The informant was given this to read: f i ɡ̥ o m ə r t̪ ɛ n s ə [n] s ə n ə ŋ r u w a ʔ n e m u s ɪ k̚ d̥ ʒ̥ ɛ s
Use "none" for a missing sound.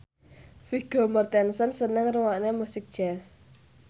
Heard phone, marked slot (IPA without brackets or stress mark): n